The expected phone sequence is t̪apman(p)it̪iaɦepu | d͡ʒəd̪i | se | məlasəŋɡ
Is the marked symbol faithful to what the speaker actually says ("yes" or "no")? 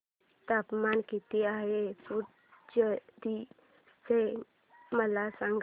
no